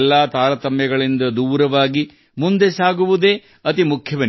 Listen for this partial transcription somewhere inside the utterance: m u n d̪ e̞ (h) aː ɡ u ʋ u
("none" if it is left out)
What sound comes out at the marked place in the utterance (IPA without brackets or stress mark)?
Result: s